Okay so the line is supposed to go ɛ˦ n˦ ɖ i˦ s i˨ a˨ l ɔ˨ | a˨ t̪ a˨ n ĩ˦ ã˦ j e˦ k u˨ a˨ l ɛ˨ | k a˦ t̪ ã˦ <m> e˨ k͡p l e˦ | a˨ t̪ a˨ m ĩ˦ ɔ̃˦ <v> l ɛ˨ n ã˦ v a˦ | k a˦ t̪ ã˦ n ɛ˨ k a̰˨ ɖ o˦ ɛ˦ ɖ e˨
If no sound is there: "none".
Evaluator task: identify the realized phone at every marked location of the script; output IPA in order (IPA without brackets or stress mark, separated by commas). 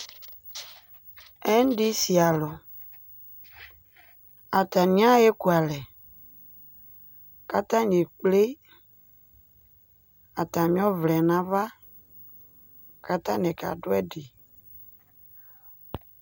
ɲ, v